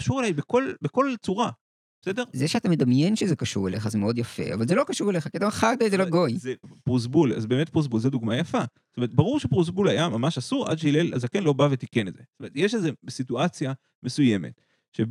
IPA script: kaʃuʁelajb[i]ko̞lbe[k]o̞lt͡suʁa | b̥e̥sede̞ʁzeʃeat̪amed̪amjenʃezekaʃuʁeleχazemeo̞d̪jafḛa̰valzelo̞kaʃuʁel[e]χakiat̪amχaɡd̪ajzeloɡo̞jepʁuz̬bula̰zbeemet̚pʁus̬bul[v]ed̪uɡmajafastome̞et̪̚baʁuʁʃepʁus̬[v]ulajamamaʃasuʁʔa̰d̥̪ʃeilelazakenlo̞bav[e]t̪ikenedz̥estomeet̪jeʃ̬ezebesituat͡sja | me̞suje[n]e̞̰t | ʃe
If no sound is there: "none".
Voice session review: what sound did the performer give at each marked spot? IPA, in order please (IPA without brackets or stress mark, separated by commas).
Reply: e, k, e, z, b, e, m